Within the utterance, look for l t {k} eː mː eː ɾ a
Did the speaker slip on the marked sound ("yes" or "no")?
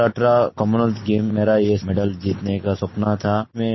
yes